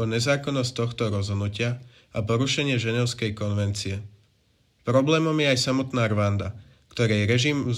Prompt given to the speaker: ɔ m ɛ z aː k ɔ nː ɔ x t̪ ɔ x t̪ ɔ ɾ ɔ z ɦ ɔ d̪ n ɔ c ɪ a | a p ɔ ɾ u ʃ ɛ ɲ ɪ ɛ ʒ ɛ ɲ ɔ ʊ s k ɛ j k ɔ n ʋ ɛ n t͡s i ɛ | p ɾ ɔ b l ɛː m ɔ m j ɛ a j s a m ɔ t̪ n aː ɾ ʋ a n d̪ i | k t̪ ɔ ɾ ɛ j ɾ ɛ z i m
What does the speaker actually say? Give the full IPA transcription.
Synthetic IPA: ɔ ɲ ɛ z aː k ɔ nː ɔ s t̪ ɔ x t̪ ɔ ɾ ɔ z ɦ ɔ d̪ n u c ɪ a | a p ɔ ɾ u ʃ ɛ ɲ ɪ ɛ ʒ ɛ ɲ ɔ ʊ s k ɛ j k ɔ n ʋ ɛ n t͡s i ɛ | p ɾ ɔ b l ɛː m ɔ m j ɛ a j s a m ɔ t̪ n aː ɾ ʋ a n d̪ a | k t̪ ɔ ɾ ɛ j ɾ ɛ ʒ i m